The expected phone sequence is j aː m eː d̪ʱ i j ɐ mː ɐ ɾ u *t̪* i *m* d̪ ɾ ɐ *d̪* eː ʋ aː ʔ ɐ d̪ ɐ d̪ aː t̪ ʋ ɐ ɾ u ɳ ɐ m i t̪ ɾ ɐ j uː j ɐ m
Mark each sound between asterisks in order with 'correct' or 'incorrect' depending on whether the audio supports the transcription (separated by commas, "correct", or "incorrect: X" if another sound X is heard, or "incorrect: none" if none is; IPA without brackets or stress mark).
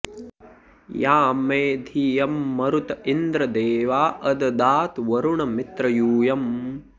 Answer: correct, incorrect: n, correct